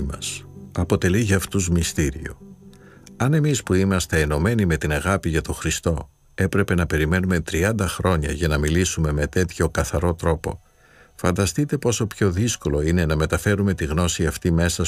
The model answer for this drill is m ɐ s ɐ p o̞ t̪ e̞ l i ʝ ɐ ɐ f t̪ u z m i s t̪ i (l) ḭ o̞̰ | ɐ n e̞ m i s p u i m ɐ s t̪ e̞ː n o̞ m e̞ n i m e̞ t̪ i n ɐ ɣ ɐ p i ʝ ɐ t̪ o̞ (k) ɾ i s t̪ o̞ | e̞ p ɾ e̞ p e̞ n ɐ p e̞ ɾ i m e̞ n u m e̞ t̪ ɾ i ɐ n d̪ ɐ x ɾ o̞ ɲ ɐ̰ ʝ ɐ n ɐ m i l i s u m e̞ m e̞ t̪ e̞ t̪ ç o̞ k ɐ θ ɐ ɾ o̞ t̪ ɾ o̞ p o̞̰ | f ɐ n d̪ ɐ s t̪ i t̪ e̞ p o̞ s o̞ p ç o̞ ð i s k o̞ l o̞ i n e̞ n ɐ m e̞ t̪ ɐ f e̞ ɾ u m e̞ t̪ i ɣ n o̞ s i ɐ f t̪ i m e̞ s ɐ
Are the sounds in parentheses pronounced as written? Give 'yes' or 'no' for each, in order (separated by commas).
no, no